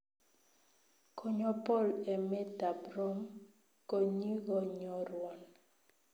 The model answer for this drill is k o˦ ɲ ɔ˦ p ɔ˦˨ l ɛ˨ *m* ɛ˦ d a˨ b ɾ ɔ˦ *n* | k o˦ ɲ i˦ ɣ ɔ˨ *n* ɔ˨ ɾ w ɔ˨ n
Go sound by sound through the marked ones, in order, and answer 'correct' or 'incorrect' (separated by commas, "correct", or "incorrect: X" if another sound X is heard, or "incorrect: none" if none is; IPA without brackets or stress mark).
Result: correct, incorrect: m, incorrect: ɲ